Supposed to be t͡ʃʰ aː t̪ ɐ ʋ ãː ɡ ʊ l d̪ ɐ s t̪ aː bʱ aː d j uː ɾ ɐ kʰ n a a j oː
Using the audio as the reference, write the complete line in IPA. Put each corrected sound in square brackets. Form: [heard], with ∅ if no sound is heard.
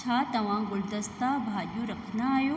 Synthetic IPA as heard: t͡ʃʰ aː t̪ ɐ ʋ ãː ɡ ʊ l d̪ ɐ s t̪ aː bʱ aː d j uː ɾ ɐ kʰ n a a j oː